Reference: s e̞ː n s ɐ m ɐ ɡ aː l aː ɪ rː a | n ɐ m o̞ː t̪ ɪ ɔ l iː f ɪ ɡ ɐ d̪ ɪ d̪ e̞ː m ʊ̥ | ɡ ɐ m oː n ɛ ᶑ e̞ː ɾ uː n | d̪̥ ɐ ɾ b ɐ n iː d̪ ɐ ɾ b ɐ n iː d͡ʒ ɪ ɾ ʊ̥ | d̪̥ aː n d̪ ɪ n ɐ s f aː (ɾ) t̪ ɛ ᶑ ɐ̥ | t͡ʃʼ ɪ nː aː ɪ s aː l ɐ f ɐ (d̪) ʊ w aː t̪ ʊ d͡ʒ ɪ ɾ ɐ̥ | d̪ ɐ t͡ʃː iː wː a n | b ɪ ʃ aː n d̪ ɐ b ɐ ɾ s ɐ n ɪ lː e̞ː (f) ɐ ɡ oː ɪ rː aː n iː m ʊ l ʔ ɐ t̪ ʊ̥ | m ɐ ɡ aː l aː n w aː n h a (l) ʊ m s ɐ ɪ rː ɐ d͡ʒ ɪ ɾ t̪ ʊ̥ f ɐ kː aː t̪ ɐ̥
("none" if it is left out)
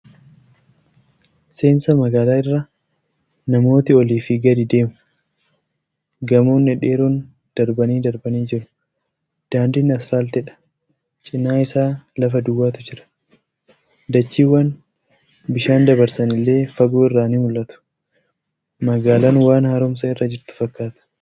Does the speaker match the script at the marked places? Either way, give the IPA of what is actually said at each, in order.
l, d̪, f, ɾ

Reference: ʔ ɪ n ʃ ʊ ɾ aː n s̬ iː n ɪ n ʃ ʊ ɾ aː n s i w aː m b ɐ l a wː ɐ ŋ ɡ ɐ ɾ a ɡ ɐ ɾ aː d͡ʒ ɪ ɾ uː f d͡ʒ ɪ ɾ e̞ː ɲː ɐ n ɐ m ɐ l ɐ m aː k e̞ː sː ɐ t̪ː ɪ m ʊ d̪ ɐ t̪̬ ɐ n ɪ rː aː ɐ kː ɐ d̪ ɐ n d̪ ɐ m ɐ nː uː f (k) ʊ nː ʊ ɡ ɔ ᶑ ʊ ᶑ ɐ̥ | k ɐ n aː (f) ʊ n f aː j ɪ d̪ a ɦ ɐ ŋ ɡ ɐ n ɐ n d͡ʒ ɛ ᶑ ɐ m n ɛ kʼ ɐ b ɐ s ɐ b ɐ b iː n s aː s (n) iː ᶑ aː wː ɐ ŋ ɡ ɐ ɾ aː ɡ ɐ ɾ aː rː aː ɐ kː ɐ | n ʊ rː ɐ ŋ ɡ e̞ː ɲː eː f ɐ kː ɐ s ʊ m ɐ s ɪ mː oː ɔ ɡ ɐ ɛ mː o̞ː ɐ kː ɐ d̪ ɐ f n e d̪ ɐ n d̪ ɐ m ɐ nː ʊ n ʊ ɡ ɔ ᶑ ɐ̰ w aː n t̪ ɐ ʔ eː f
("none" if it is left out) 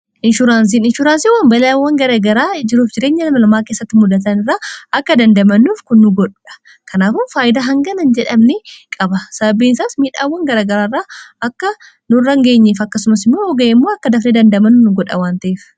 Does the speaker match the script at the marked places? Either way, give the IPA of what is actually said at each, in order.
k, f, m

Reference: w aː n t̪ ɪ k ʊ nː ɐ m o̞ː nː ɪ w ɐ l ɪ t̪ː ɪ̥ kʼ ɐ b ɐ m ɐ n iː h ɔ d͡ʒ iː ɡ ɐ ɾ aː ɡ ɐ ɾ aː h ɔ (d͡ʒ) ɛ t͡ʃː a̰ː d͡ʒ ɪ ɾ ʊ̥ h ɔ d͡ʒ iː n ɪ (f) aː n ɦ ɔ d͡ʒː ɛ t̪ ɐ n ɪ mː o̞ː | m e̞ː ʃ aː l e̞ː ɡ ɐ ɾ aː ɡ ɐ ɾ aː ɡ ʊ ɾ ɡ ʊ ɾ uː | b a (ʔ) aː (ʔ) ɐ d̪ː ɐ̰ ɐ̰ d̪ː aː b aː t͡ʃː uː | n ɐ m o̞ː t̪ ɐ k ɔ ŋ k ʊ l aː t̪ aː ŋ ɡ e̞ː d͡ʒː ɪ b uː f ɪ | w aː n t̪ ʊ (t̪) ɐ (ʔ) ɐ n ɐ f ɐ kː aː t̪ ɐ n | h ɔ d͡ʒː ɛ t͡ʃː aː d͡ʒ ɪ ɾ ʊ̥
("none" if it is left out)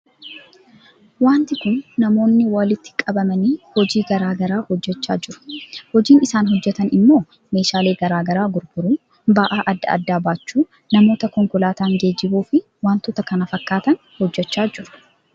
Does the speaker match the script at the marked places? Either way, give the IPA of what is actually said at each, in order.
d͡ʒː, s, ʔ, ʔ, t̪, k

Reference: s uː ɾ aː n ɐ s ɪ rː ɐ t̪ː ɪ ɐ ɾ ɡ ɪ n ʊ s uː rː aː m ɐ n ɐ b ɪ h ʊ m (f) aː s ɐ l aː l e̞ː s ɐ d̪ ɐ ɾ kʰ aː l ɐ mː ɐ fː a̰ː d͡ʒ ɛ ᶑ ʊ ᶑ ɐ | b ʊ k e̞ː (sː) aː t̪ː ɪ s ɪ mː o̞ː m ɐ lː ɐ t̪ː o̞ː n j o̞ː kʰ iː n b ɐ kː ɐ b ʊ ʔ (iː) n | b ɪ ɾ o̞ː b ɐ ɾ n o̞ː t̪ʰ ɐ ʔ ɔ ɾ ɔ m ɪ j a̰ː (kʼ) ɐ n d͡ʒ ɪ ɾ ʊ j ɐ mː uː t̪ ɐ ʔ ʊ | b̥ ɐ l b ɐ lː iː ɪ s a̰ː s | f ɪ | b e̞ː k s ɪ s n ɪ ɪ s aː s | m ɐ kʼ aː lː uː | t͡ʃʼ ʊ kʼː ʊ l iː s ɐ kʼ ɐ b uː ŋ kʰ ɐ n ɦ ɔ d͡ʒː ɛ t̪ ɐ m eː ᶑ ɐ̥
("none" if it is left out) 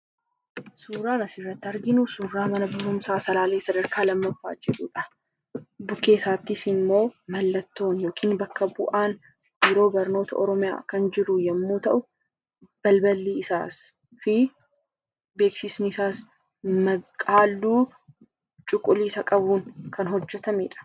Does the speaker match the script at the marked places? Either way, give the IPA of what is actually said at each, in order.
s, s, aː, k

